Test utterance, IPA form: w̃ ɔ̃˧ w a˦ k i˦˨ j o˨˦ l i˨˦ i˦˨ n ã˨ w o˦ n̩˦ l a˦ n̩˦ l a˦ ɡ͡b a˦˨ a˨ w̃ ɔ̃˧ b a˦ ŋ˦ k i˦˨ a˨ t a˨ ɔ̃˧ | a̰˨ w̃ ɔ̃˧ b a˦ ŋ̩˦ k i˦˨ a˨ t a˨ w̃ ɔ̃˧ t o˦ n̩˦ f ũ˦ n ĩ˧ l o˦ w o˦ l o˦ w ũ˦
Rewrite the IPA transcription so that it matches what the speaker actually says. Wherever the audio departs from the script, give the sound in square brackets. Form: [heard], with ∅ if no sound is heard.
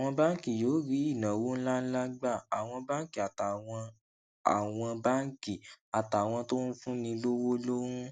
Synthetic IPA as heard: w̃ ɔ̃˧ [b] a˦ k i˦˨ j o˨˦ [ɾ] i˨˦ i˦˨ n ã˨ w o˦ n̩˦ l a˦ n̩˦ l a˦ ɡ͡b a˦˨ a˨ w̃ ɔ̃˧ b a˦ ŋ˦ k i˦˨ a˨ t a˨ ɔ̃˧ | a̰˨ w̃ ɔ̃˧ b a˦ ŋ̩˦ k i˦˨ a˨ t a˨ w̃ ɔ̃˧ t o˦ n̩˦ f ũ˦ n ĩ˧ l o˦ w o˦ l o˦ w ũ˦